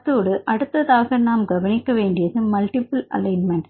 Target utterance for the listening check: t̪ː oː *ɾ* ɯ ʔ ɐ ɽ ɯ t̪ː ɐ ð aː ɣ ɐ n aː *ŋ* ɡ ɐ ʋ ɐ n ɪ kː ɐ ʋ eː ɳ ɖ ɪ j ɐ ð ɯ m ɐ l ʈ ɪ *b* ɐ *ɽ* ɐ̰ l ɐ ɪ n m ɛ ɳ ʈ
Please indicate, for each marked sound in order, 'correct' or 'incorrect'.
incorrect, incorrect, incorrect, incorrect

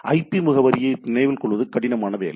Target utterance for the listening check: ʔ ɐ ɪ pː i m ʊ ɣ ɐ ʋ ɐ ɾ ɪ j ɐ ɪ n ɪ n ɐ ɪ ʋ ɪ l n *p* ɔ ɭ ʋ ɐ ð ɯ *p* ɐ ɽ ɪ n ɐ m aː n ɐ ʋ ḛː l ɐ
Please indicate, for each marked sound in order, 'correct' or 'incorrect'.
incorrect, incorrect

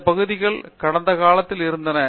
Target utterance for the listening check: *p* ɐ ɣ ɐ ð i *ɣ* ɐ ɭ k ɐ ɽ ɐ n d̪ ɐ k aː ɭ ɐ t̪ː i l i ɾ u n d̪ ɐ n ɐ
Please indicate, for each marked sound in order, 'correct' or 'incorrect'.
correct, correct

